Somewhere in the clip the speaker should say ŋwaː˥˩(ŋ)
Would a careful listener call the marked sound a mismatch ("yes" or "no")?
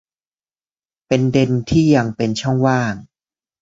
no